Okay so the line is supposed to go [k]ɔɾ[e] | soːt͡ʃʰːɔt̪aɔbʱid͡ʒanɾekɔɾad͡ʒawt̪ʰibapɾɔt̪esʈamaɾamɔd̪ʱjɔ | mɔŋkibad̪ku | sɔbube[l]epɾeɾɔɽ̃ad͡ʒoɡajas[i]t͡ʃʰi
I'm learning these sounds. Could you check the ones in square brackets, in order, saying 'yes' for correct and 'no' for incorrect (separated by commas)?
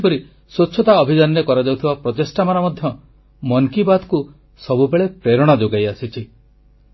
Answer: no, no, no, yes